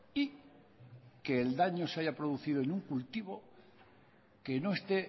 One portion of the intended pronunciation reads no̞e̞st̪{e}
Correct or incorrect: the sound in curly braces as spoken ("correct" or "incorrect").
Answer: correct